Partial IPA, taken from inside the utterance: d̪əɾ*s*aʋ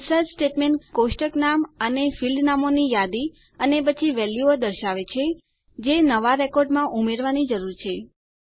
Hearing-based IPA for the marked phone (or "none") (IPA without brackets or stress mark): ʃ